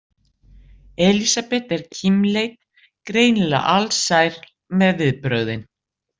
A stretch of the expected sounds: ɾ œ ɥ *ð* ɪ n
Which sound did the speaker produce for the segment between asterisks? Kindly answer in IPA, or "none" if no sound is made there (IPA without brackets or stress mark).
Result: ð